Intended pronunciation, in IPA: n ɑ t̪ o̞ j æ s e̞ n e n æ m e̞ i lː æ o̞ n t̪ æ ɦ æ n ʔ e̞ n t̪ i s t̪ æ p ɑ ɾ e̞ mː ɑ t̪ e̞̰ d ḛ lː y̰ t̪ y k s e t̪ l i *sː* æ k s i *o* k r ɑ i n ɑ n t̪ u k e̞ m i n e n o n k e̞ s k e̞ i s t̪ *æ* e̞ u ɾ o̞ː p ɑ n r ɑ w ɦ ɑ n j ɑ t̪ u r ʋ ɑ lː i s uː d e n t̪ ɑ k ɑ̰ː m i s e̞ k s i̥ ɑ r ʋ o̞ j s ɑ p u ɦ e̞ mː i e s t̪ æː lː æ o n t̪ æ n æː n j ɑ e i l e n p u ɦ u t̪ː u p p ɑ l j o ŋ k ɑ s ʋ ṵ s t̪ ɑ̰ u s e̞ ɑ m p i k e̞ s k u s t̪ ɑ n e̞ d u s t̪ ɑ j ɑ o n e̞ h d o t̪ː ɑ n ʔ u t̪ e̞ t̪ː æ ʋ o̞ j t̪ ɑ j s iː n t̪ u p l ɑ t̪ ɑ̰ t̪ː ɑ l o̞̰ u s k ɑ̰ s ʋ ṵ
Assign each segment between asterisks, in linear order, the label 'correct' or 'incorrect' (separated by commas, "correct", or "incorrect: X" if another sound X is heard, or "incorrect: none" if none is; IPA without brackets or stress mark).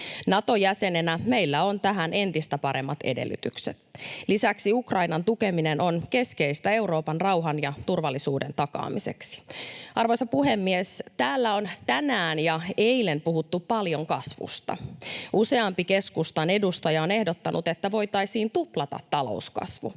incorrect: s, incorrect: u, correct